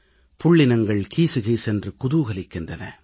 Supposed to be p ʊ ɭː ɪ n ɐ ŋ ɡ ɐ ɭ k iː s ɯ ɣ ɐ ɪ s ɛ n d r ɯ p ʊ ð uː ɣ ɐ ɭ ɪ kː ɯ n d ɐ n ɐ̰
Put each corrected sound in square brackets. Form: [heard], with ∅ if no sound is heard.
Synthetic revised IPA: p ʊ ɭː ɪ n ɐ ŋ ɡ ɐ ɭ k iː s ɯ ɣ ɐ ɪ s ɛ n d r ɯ [k] ʊ ð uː ɣ ɐ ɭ ɪ kː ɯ n d ɐ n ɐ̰